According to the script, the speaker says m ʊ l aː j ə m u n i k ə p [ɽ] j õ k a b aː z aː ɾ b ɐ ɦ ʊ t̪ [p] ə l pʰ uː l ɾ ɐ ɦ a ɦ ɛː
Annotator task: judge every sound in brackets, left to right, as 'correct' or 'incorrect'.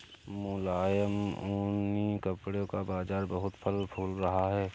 correct, incorrect

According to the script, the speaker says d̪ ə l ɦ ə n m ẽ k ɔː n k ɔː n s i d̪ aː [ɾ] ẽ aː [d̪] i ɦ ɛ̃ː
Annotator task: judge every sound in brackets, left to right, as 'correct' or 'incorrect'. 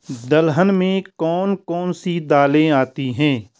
incorrect, incorrect

